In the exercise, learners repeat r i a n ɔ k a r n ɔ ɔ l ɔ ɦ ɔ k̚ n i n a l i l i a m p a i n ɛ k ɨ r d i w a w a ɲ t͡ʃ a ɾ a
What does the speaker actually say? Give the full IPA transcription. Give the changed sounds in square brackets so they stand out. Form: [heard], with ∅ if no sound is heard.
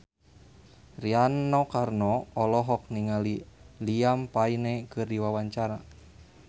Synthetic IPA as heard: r i a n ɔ k a r n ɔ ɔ l ɔ ɦ ɔ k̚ n i [ŋ] a l i l i a m p a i n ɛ k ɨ r d i w a w a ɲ t͡ʃ a ɾ a